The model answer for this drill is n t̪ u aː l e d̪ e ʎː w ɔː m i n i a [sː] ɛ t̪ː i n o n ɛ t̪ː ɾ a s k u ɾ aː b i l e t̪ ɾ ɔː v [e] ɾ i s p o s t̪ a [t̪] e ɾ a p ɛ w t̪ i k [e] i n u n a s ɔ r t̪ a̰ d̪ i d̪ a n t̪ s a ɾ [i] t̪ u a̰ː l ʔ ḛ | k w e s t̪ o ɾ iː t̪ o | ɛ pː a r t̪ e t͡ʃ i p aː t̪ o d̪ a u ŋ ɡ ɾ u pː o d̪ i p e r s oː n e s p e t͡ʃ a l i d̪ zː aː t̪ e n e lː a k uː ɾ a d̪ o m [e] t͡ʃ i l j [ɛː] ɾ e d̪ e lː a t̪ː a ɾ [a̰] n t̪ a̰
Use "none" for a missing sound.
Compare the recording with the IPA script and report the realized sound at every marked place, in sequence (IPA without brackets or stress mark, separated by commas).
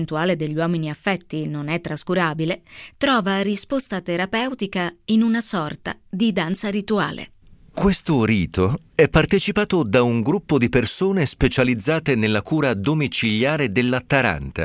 fː, a, t̪, a, i, i, aː, a̰